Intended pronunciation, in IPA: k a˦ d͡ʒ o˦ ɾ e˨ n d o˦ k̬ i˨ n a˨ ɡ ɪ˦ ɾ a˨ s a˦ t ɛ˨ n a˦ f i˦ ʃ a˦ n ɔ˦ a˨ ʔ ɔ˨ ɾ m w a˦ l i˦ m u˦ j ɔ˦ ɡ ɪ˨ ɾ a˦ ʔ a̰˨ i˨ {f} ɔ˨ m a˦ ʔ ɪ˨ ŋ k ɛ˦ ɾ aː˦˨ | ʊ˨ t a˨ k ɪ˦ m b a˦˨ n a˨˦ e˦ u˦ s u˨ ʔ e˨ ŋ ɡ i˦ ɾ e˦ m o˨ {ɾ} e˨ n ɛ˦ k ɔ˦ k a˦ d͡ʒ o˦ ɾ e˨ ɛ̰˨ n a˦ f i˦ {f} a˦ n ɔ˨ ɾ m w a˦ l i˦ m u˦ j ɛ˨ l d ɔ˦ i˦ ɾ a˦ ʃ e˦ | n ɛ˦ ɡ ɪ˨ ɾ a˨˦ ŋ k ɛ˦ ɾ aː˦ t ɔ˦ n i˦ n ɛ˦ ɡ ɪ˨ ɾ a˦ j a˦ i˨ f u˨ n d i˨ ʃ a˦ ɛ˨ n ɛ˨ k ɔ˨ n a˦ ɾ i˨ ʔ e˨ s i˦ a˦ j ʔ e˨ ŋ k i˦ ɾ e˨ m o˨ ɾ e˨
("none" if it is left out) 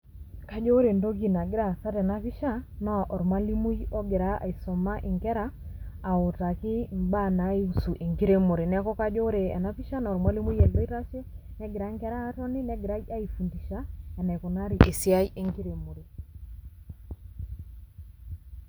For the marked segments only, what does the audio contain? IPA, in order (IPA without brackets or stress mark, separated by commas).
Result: s, ɾ, ʃ